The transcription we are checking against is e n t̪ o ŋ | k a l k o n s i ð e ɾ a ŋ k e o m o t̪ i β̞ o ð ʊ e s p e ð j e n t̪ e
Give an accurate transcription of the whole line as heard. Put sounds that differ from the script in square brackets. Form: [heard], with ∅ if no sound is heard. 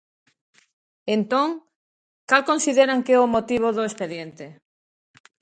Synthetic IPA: e n t̪ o ŋ | k a l k o n s i ð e ɾ a ŋ k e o m o t̪ i β̞ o ð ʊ e s p e ð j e n t̪ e